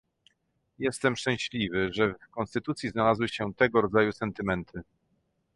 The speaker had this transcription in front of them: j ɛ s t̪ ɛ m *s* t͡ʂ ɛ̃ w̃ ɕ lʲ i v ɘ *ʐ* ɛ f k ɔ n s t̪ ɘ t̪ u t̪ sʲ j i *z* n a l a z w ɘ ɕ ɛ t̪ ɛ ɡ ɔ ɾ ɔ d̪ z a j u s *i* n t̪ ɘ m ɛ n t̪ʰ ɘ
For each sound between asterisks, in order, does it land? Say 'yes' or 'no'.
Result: no, yes, yes, no

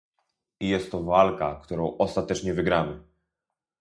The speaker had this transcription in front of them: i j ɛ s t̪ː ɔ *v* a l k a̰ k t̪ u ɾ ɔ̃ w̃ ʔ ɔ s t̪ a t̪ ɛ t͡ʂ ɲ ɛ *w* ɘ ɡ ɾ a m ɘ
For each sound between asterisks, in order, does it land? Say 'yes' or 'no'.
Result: yes, no

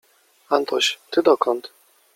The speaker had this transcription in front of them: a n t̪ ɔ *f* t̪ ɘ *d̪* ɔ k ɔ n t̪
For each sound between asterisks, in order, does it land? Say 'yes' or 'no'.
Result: no, yes

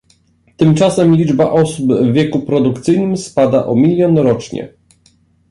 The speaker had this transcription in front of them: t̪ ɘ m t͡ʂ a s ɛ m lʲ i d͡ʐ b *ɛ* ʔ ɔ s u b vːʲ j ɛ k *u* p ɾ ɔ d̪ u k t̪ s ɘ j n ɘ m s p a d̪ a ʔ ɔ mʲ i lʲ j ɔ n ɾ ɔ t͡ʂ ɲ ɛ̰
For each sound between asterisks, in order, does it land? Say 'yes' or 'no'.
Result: no, yes

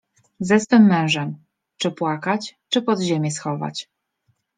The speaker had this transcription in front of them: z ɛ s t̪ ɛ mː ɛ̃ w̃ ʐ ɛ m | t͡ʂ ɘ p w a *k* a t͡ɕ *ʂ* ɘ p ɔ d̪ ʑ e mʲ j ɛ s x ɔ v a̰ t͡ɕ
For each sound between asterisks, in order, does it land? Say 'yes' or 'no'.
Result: yes, no

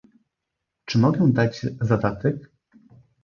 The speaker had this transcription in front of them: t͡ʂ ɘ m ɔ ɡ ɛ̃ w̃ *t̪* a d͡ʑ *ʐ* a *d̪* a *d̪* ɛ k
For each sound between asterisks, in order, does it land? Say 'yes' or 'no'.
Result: no, no, yes, no

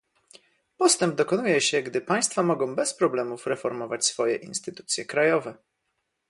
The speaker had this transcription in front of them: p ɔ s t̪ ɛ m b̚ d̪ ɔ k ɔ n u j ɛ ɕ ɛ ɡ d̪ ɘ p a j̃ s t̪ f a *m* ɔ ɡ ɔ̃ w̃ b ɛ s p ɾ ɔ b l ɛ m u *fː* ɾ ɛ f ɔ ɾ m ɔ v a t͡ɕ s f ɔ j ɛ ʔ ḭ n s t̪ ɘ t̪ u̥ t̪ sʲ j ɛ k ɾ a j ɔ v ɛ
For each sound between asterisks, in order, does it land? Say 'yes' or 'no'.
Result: yes, no

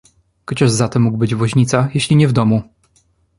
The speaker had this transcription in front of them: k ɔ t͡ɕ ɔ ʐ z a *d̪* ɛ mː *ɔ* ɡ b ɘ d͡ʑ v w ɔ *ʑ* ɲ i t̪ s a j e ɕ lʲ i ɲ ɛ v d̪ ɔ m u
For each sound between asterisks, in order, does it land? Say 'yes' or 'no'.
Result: no, no, yes

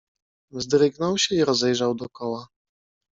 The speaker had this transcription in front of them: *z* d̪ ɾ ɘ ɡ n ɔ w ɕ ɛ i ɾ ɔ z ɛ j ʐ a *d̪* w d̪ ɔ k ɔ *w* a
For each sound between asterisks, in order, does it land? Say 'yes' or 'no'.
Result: yes, no, yes

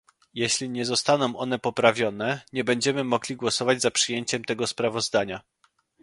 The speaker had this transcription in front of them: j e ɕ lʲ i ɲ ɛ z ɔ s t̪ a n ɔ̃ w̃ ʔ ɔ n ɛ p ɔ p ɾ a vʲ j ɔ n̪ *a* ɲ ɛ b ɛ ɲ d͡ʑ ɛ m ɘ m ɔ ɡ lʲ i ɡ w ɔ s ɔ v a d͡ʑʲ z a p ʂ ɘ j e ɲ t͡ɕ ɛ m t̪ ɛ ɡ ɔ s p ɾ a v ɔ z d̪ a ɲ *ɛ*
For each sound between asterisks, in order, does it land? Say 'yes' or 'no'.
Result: no, no

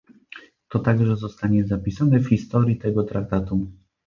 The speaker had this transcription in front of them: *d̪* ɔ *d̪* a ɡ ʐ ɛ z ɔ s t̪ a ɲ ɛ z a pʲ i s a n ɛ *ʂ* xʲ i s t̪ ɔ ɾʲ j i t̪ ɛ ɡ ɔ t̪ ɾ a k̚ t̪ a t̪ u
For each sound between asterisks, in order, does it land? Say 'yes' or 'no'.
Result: no, no, no

